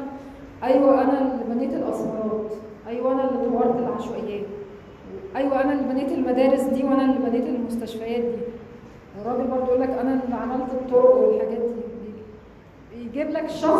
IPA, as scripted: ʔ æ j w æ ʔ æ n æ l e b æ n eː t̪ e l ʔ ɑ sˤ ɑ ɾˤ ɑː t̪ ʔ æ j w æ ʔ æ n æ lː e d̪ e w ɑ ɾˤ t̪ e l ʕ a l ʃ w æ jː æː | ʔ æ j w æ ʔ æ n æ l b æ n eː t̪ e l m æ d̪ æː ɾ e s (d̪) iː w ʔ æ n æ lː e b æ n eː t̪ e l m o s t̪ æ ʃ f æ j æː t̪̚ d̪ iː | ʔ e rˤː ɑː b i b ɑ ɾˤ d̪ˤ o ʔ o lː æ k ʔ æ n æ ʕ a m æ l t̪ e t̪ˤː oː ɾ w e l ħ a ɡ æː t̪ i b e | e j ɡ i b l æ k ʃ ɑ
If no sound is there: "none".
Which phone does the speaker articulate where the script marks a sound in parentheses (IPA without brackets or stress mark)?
d̪